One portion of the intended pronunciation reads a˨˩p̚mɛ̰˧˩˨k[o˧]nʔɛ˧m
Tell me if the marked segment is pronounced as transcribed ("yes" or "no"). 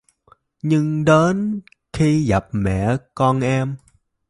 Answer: no